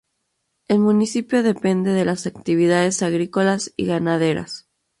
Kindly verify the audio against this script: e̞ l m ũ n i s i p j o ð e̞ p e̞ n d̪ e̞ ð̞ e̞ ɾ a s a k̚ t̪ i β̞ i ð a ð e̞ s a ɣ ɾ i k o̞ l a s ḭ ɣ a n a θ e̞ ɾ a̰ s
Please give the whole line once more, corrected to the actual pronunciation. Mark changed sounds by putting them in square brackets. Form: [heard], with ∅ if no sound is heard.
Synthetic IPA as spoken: e̞ l m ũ n i s i p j o ð e̞ p e̞ n d̪ e̞ ð̞ e̞ [l] a s a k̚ t̪ i β̞ i ð a ð e̞ s a ɣ ɾ i k o̞ l a s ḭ ɣ a n a [ð] e̞ ɾ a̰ s

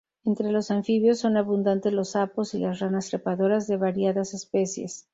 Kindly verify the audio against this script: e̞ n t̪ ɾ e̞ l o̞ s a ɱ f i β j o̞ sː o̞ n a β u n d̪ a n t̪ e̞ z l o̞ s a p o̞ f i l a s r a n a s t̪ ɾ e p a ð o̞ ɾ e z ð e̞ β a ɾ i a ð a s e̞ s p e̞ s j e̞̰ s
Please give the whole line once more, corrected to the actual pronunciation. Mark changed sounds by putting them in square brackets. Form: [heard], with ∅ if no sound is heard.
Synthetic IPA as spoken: e̞ n t̪ ɾ e̞ l o̞ s a ɱ f i β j o̞ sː o̞ n a β u n d̪ a n t̪ e̞ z l o̞ s a p o̞ [s] i l a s r a n a s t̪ ɾ e p a ð o̞ ɾ [a] z ð e̞ β a ɾ [j] a ð a s e̞ s p e̞ s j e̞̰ s

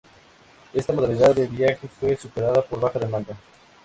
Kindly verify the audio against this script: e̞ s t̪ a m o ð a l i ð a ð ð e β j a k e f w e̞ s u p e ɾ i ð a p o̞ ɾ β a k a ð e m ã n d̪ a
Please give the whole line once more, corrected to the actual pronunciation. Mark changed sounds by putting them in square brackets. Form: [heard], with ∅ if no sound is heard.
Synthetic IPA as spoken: e̞ s t̪ a m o ð a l i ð a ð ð e β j a [x] e f w e̞ s u p e ɾ [a] ð a p o̞ ɾ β a [x] a ð e m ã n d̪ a

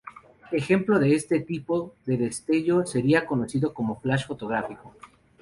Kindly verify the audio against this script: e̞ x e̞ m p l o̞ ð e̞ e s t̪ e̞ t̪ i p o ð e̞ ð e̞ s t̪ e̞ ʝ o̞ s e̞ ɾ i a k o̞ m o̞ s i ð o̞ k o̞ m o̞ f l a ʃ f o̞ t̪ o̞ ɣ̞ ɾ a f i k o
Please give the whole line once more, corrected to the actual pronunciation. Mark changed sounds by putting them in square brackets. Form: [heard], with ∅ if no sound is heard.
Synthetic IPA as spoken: e̞ x e̞ m p l o̞ ð e̞ e s t̪ e̞ t̪ i p o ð e̞ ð e̞ s t̪ e̞ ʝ o̞ s e̞ ɾ i a k o̞ [n] o̞ s i ð o̞ k o̞ m o̞ f l a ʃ f o̞ t̪ o̞ ɣ̞ ɾ a f i k o

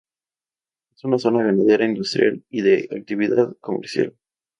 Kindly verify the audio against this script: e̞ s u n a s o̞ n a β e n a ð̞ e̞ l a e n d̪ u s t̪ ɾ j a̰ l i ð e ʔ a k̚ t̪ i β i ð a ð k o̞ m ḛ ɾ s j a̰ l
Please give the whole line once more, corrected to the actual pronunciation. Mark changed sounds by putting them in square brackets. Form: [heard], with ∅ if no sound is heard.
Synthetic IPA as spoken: e̞ s u n a s o̞ n a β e n a ð̞ e̞ [ɾ] a [i] n d̪ u s t̪ ɾ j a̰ l i ð e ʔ a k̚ t̪ i β i ð a ð k o̞ m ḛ ɾ s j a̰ l

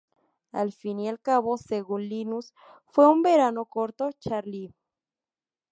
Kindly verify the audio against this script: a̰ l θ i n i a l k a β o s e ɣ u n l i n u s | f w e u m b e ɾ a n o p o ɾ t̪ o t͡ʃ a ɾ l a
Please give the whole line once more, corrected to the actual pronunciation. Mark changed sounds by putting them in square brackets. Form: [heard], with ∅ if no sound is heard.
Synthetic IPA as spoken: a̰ l [f] i n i a l k a β o s e ɣ u n l i n u s | f w e u m b e ɾ a n o [k] o ɾ t̪ o t͡ʃ a ɾ l [i]

